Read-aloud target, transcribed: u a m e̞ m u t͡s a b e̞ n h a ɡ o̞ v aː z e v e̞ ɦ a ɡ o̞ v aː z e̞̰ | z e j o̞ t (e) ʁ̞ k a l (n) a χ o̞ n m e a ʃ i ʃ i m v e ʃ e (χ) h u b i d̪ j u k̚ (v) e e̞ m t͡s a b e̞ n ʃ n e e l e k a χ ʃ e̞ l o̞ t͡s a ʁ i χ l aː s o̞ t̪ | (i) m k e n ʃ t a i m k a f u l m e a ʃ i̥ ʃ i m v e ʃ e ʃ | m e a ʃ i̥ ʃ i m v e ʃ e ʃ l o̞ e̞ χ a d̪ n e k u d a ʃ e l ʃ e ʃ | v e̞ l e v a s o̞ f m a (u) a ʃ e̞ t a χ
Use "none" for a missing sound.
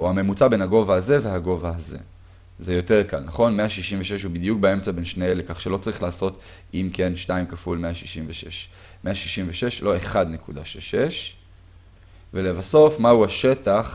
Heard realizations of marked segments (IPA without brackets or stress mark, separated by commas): e, n, ʃ, b, i, u